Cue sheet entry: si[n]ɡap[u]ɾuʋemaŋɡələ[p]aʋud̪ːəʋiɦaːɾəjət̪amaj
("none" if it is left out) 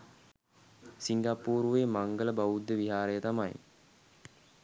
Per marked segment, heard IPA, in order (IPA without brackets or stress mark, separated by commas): ŋ, uː, b